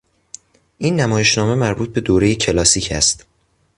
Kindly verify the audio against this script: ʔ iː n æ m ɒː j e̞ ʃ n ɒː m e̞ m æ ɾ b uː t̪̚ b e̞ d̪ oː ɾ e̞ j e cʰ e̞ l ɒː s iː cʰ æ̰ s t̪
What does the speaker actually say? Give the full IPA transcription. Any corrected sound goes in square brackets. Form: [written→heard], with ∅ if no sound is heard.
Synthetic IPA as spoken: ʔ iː [n→nː] æ m ɒː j e̞ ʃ n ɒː m e̞ m æ ɾ b uː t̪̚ b e̞ d̪ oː ɾ e̞ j e cʰ e̞ l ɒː s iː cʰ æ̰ s t̪

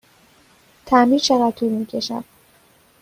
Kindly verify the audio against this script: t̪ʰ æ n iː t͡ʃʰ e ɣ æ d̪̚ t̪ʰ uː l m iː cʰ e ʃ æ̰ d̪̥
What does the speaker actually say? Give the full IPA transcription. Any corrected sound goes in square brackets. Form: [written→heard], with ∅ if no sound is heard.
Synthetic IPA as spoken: t̪ʰ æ [n→m] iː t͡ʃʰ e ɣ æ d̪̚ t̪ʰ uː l m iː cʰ e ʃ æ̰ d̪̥

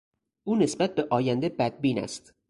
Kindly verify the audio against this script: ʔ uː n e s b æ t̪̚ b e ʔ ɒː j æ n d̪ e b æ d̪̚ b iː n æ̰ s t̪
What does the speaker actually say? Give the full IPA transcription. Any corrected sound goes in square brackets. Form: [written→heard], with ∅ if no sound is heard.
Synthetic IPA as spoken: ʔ uː n e s b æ t̪̚ b e ʔ ɒː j æ n d̪ e b æ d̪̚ b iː n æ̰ s t̪

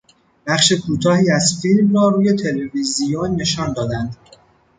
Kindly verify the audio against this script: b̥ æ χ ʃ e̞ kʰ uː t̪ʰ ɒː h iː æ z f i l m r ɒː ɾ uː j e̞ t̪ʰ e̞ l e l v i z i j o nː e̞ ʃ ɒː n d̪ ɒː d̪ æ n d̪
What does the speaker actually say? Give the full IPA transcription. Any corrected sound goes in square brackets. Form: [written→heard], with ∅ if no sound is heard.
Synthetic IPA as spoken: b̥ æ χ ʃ e̞ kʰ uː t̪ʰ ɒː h iː æ z f i l m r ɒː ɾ uː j e̞ t̪ʰ e̞ l e [l→∅] v i z i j o nː e̞ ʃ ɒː n d̪ ɒː d̪ æ n d̪

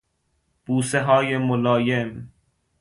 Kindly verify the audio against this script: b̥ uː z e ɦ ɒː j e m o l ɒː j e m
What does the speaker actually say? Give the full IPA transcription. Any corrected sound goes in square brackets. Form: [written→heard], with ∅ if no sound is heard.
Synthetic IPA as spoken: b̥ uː [z→s] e ɦ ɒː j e m o l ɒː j e m

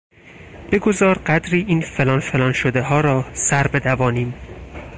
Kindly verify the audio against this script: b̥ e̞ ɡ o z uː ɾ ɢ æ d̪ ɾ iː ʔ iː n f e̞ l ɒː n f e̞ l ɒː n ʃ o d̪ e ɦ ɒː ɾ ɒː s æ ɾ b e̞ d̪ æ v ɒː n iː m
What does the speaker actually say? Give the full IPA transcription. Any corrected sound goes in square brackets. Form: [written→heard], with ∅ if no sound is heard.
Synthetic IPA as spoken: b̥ e̞ ɡ o z [uː→ɒː] ɾ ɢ æ d̪ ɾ iː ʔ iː n f e̞ l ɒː n f e̞ l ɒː n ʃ o d̪ e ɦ ɒː ɾ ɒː s æ ɾ b e̞ d̪ æ v ɒː n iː m

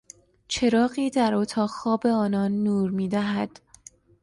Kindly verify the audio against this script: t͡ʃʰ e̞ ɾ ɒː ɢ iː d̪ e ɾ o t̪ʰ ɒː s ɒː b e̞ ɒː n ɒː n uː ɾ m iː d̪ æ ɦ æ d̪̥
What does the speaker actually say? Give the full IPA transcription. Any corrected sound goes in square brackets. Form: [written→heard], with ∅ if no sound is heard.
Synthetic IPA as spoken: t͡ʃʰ e̞ ɾ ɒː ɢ iː d̪ [e→æ] ɾ o t̪ʰ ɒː [s→x] ɒː b e̞ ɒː n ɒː [n→nː] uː ɾ m iː d̪ æ ɦ æ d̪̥

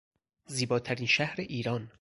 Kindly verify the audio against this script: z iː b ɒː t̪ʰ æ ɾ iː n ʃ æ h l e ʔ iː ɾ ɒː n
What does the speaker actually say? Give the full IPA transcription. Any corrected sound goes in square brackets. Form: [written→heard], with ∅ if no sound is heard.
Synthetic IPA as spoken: z iː b ɒː t̪ʰ æ ɾ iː n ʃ æ h [l→ɾ] e ʔ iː ɾ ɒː n

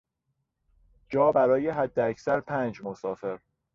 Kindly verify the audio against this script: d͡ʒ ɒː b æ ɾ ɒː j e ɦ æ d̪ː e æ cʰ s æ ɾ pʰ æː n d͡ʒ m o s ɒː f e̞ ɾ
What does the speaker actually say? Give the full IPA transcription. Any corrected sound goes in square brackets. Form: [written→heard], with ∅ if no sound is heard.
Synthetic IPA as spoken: d͡ʒ ɒː b æ ɾ ɒː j e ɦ æ d̪ː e æ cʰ s æ ɾ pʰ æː n d͡ʒ m o s ɒː f e̞ ɾ

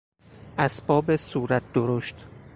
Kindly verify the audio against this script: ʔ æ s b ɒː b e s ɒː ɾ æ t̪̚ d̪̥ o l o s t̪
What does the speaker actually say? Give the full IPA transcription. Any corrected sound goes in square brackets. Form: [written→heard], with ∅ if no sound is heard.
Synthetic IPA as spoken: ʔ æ s b ɒː b e s [ɒː→uː] ɾ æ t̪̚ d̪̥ o [l→ɾ] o [s→ʃ] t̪

